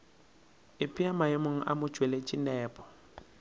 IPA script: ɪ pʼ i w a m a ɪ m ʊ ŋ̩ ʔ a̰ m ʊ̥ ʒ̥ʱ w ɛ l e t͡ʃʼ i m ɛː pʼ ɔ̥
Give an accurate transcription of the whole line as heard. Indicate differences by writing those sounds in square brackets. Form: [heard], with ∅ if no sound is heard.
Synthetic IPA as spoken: ɪ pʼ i [∅] a m a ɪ m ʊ ŋ̩ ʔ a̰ m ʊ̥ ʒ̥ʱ w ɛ l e t͡ʃʼ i [n] ɛː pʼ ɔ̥